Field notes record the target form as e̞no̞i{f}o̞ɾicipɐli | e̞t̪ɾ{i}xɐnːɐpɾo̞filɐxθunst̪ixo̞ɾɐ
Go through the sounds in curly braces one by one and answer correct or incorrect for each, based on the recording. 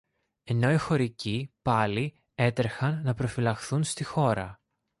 incorrect, incorrect

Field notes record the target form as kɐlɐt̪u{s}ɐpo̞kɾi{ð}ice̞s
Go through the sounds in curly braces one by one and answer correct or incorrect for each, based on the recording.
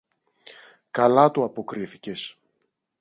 incorrect, incorrect

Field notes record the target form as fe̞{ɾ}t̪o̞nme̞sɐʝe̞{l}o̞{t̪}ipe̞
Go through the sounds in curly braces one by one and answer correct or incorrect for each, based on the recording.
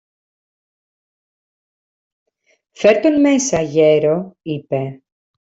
correct, incorrect, incorrect

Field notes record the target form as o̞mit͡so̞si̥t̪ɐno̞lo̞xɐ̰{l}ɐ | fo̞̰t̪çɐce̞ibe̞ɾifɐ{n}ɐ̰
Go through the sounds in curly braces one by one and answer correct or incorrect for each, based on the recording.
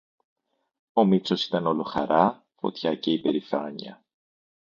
incorrect, incorrect

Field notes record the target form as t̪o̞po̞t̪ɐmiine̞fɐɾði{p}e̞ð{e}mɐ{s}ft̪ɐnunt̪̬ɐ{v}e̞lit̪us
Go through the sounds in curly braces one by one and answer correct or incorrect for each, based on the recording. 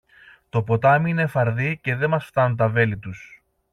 incorrect, correct, correct, correct

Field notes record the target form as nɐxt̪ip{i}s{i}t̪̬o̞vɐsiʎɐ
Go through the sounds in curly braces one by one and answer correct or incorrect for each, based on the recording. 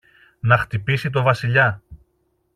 correct, correct

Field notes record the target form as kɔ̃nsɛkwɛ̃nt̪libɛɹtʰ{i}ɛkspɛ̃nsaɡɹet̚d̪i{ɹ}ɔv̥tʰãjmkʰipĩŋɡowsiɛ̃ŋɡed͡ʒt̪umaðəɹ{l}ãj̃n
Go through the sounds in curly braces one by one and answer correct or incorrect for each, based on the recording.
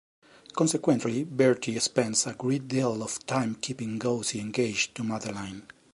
correct, incorrect, correct

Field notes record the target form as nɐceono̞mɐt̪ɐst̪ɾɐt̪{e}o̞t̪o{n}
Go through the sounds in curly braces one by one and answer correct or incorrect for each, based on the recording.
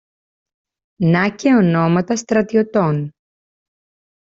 incorrect, correct

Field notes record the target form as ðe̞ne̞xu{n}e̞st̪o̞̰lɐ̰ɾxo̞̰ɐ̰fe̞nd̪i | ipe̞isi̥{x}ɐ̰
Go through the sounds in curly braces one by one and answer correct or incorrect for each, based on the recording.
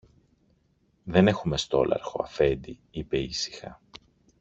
incorrect, correct

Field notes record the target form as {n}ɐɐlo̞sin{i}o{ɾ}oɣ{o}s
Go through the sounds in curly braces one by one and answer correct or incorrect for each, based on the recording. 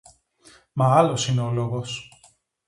incorrect, incorrect, incorrect, correct

